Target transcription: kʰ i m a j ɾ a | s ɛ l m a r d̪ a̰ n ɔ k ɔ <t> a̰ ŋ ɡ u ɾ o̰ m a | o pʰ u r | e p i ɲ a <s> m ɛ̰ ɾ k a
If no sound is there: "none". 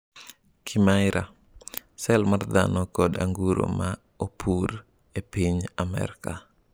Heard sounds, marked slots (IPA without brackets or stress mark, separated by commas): d, none